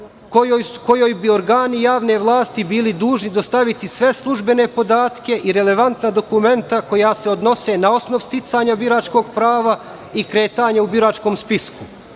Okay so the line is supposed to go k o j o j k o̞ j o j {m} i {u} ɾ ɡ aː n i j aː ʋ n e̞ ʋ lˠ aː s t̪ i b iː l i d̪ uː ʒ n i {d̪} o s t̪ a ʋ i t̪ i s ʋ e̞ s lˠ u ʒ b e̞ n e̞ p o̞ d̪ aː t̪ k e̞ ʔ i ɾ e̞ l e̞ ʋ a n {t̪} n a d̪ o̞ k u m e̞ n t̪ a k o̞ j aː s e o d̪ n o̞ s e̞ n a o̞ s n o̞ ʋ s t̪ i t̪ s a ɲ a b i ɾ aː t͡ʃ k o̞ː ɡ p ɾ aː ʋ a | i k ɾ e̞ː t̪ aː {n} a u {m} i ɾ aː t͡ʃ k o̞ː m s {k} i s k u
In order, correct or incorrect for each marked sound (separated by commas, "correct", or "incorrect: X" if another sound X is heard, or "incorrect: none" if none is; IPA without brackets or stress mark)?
incorrect: b, incorrect: o, correct, correct, incorrect: ɲ, incorrect: b, incorrect: p